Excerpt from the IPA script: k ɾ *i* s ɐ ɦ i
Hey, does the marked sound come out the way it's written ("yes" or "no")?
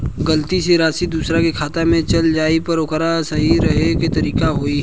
no